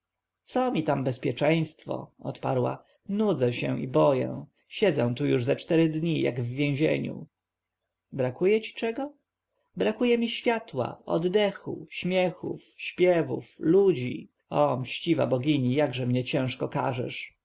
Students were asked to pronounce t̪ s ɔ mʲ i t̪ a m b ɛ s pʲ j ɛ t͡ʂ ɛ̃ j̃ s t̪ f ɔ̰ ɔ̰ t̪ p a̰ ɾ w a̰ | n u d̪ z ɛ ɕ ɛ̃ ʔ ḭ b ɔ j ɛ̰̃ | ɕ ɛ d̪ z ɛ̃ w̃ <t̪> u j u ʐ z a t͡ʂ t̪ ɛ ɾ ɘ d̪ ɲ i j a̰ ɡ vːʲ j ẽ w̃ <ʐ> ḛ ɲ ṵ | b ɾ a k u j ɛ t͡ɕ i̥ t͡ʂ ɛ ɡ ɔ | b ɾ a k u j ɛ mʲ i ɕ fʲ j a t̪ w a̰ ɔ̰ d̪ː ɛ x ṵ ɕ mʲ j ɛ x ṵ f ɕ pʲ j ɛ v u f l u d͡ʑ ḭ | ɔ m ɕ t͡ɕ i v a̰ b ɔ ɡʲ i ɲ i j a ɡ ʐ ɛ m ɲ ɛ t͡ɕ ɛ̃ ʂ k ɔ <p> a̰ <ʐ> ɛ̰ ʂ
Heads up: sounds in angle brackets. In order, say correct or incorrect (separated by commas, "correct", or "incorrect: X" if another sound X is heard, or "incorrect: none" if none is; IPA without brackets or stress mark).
correct, incorrect: ʑ, incorrect: k, correct